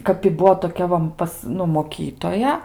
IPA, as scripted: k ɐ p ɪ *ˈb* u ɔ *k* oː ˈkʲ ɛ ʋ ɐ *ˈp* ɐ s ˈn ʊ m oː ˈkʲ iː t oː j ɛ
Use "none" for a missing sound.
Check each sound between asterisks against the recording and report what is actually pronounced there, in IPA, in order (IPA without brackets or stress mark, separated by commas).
b, t, p